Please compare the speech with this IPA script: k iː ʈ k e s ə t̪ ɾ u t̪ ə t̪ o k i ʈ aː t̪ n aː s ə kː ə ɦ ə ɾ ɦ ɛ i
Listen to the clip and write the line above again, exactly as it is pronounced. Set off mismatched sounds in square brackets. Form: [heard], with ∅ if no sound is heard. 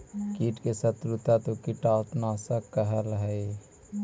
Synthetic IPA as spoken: k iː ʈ k e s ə t̪ ɾ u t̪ [a] t̪ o k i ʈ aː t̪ n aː s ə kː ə ɦ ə [l] ɦ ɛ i